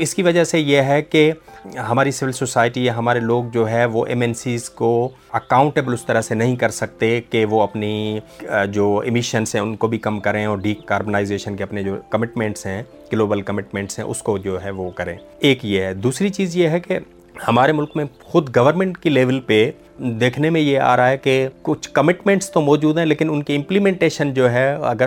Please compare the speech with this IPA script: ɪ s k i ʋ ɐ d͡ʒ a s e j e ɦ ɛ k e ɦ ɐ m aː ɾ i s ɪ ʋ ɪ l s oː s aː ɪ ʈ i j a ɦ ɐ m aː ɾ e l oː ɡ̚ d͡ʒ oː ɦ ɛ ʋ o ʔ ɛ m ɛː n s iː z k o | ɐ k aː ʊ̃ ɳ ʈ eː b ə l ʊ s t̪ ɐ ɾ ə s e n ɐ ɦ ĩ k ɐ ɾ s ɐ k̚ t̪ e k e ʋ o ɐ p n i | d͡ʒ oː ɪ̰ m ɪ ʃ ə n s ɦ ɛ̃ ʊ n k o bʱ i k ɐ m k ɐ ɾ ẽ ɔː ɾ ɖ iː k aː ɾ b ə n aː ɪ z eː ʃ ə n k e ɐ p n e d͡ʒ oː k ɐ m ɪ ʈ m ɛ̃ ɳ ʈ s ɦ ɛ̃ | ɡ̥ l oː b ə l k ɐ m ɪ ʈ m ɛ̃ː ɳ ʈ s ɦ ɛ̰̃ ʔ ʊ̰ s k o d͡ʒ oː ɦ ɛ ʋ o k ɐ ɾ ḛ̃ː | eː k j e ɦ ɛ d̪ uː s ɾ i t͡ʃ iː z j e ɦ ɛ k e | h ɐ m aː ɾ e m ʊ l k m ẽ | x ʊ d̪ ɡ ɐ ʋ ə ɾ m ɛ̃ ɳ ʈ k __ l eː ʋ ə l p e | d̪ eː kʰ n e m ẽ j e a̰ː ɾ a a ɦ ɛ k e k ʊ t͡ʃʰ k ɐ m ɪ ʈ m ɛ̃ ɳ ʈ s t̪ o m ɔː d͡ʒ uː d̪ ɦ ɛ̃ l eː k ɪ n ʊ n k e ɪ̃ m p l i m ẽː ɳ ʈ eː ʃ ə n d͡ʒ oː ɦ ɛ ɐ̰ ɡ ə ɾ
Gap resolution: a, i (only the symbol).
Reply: i